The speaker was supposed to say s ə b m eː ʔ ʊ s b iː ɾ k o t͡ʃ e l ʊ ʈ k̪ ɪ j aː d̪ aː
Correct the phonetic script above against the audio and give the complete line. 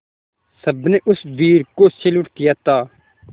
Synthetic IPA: s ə b n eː ʔ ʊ s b iː ɾ k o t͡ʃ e l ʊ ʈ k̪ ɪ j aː t̪ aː